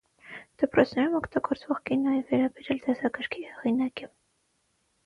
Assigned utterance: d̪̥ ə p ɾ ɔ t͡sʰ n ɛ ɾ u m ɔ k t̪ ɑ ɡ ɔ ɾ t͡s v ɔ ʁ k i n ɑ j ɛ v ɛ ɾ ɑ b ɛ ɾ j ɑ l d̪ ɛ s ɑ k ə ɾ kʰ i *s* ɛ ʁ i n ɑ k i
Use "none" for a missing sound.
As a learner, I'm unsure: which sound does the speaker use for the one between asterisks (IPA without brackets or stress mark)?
h